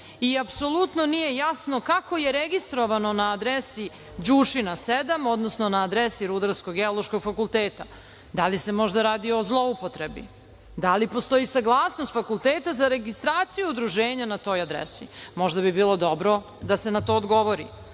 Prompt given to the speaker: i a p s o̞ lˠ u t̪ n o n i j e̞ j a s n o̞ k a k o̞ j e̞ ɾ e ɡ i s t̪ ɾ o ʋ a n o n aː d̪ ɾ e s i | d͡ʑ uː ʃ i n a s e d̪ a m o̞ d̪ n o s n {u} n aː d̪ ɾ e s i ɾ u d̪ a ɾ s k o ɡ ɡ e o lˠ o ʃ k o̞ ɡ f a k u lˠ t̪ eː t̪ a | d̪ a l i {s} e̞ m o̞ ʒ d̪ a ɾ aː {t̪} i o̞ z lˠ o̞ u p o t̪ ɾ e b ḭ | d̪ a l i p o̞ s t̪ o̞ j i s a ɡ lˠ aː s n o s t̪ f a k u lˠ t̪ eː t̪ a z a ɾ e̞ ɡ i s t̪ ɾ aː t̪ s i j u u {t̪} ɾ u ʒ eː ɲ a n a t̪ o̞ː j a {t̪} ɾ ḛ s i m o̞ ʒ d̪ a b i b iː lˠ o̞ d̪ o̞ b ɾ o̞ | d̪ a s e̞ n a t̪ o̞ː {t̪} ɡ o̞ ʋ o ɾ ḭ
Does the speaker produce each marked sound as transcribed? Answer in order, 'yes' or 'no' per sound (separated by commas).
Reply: no, yes, no, no, no, no